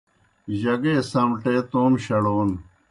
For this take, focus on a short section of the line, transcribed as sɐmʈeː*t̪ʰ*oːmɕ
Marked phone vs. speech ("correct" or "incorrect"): incorrect